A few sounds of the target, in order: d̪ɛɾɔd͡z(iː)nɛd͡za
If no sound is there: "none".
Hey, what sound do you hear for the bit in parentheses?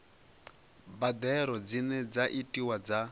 i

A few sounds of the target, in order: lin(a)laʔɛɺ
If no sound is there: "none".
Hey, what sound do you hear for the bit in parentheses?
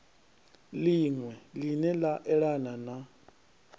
ɛ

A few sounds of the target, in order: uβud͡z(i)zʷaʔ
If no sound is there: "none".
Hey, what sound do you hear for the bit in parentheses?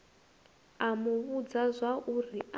a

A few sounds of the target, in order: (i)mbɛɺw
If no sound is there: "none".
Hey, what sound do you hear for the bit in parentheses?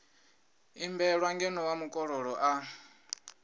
i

